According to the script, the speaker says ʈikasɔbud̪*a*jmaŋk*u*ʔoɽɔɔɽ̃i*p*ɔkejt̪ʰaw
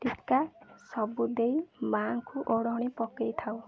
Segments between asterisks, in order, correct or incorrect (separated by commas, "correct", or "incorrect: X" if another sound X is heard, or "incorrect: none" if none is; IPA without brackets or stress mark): incorrect: e, correct, correct